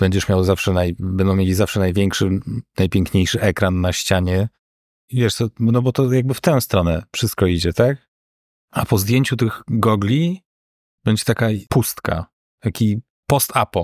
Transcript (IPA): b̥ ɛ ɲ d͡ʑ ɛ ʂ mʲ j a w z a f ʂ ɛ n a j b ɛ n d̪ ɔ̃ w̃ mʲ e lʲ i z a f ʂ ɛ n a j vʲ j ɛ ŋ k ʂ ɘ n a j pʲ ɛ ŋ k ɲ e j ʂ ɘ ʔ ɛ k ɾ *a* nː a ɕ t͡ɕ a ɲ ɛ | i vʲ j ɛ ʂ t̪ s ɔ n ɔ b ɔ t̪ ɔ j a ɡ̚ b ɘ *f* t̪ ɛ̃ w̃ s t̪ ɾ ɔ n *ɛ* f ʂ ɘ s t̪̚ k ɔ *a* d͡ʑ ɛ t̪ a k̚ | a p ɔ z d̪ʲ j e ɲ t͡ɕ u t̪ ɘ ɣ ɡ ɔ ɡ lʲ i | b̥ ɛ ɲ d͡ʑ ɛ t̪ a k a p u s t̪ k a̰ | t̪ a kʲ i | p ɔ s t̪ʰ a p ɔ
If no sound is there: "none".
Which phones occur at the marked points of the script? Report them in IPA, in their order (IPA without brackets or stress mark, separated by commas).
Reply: a, f, ɛ, i